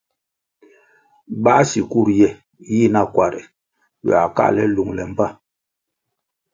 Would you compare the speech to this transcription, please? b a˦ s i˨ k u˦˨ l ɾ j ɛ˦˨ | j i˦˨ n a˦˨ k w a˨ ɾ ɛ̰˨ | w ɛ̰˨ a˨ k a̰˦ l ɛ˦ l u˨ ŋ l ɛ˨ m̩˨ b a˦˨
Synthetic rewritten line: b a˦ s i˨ k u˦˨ ɾ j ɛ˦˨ | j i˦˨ n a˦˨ k w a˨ ɾ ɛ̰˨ | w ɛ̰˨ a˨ k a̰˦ l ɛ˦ l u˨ ŋ l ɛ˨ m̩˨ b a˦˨